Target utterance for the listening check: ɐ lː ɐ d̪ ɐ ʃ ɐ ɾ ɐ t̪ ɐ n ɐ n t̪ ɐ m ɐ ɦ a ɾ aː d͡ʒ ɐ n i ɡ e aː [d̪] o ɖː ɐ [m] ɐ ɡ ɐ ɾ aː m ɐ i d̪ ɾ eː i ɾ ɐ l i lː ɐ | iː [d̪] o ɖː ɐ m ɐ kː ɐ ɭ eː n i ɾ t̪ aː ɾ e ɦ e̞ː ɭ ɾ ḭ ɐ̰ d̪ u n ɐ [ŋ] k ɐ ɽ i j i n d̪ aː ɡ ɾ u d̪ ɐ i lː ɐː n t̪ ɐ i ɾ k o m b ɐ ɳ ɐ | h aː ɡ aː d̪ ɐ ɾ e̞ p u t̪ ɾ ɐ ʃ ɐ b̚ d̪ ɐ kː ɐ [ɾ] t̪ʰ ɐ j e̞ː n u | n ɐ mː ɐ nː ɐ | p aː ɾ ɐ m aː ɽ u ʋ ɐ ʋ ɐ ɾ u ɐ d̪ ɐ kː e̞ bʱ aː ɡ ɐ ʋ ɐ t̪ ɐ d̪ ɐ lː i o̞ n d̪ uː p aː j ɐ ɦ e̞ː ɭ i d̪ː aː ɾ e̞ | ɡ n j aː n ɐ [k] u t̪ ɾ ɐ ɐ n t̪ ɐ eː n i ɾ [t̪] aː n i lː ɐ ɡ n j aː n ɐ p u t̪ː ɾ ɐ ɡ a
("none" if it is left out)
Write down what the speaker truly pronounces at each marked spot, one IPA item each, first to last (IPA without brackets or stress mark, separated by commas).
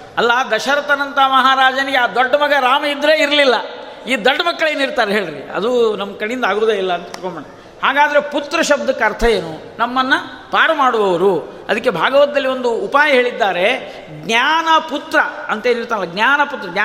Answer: d̪, m, d̪, m, ɾ, p, t̪